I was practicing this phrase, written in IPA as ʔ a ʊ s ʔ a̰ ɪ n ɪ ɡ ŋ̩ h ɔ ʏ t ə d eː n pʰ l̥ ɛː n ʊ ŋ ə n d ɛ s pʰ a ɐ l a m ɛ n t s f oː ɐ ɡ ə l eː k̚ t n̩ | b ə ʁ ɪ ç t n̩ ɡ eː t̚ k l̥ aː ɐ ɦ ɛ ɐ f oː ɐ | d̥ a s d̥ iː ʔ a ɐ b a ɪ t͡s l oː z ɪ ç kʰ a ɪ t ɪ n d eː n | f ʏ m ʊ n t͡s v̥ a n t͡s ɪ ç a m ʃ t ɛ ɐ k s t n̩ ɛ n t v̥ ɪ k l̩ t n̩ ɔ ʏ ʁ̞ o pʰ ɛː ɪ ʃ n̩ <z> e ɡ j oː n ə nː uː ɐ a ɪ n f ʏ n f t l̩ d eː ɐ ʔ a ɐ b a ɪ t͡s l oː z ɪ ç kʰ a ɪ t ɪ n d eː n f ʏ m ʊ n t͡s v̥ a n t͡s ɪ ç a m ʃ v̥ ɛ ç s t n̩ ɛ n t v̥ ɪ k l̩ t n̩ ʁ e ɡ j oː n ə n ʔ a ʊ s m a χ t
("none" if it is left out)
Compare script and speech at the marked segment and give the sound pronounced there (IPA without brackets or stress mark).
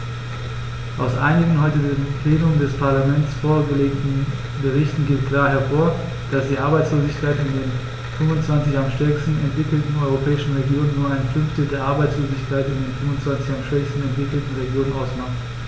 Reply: ʁ